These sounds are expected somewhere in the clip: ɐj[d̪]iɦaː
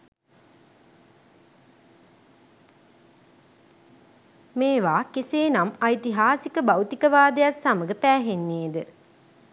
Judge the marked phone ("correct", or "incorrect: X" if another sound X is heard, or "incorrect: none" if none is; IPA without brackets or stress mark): incorrect: t̪